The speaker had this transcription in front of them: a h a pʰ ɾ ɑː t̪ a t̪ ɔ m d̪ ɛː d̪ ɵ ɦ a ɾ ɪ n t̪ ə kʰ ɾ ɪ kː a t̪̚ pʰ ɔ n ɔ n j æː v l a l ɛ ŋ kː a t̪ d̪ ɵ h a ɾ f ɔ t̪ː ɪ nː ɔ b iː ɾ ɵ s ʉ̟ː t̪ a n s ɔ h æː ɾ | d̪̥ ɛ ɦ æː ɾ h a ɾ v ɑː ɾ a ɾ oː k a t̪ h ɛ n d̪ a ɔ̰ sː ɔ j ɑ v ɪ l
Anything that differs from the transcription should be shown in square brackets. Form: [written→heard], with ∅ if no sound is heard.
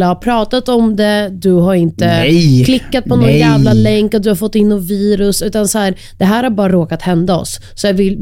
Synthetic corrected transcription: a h a pʰ ɾ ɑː t̪ a t̪ ɔ m d̪ [ɛː→ɛ] d̪ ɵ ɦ a ɾ ɪ n t̪ ə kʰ [ɾ→l] ɪ kː a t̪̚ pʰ ɔ n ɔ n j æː v l a l ɛ ŋ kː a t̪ d̪ ɵ h a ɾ f ɔ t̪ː ɪ nː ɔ [b→v] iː ɾ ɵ s ʉ̟ː t̪ a n s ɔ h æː ɾ | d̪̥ ɛ ɦ æː ɾ h a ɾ [v→b] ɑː ɾ a ɾ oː k a t̪ h ɛ n d̪ a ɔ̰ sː ɔ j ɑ v ɪ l